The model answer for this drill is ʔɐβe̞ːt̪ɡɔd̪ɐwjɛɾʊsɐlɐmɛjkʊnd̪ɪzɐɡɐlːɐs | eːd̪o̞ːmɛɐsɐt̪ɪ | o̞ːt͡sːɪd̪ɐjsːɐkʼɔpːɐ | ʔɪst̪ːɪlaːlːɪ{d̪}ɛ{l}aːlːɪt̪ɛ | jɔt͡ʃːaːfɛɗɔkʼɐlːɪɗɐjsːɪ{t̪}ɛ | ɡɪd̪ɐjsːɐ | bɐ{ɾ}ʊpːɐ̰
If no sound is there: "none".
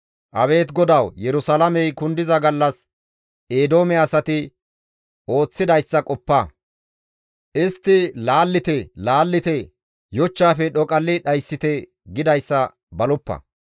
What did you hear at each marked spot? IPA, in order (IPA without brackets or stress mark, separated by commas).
t̪, l, t̪, l